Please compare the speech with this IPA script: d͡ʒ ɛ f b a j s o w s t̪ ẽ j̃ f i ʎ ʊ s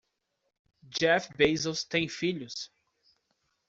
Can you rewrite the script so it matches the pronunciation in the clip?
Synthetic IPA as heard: d͡ʒ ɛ f b e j z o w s t̪ ẽ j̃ f i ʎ ʊ s